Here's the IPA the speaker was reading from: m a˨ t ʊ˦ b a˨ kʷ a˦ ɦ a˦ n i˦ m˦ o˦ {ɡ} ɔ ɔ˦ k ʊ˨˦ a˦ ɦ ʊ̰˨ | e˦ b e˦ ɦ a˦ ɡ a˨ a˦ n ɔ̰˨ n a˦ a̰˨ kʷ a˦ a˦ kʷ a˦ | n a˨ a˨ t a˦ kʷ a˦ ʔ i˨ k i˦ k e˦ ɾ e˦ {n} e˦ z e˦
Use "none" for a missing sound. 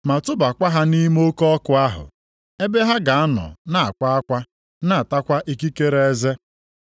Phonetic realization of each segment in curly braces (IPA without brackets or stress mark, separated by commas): k, none